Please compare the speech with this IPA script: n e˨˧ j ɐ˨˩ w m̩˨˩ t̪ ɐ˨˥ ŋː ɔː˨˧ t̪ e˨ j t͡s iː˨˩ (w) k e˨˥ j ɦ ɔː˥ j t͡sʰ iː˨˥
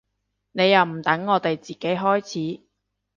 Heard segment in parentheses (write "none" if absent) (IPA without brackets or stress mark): none